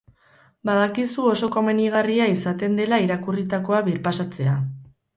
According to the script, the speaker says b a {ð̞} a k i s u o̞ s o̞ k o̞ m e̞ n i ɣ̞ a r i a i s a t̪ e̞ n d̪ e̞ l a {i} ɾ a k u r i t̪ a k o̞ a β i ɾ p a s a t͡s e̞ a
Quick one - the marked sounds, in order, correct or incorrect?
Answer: correct, correct

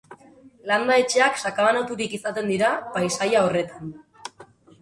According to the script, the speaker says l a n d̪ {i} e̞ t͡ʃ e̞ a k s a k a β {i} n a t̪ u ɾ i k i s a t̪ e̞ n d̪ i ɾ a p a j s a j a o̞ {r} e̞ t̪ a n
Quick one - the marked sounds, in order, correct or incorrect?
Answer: incorrect, incorrect, correct

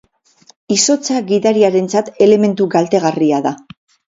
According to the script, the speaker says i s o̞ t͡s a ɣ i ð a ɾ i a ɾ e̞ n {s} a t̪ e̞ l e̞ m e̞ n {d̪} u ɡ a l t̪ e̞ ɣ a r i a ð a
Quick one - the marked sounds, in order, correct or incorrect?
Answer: incorrect, incorrect

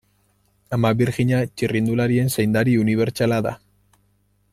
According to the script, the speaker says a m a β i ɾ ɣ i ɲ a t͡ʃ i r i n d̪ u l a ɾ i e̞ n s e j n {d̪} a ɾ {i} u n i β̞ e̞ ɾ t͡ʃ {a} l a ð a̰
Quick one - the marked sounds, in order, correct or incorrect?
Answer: correct, correct, correct

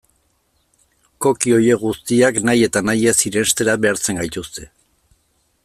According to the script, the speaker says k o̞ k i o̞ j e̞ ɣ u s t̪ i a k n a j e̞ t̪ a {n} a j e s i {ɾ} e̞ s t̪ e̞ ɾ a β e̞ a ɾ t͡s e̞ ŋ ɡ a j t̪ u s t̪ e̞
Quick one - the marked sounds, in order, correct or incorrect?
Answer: correct, correct

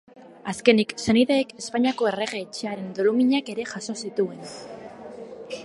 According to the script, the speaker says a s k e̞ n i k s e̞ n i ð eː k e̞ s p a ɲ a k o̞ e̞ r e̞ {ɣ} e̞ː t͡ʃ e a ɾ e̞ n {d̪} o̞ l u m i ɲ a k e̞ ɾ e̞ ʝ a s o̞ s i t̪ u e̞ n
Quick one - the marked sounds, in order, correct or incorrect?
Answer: correct, correct

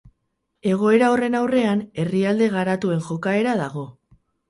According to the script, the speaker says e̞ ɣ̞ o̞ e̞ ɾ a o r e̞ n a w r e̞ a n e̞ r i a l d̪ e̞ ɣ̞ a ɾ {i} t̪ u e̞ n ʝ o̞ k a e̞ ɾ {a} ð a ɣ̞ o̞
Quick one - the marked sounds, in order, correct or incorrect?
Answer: incorrect, correct

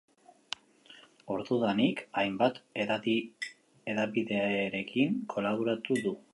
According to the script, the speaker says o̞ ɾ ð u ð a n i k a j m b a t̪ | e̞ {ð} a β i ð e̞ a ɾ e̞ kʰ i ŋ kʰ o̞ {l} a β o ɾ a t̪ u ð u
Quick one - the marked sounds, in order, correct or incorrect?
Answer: correct, correct

